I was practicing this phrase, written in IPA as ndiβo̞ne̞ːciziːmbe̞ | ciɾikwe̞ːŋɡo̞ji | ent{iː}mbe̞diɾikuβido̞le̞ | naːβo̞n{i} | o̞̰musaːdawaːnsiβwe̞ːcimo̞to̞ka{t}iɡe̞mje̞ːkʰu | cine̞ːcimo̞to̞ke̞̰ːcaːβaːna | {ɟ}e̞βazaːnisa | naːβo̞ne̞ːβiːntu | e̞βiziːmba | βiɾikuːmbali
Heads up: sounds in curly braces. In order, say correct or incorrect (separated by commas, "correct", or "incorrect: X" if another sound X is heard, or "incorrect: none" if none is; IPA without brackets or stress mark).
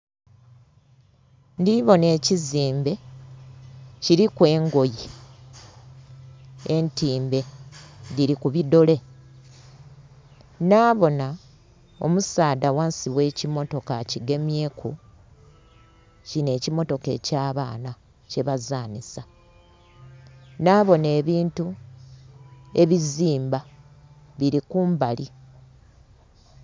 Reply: correct, incorrect: a, incorrect: c, incorrect: c